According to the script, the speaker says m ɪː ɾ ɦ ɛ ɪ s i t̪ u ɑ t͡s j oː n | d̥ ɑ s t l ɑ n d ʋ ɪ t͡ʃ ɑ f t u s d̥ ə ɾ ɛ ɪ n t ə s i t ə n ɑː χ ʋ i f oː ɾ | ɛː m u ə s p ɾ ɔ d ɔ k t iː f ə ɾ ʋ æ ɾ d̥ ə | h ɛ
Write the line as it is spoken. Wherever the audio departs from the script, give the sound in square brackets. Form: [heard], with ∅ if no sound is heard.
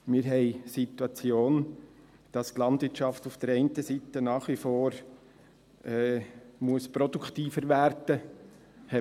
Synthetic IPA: m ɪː ɾ ɦ ɛ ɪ s i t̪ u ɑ t͡s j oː n | d̥ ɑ s t l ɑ n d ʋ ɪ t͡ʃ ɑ f t u [f] d̥ ə ɾ ɛ ɪ n t ə s i t ə n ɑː χ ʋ i f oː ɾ | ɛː m u ə s p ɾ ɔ d [u] k t iː f ə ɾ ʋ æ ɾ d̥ ə | h ɛ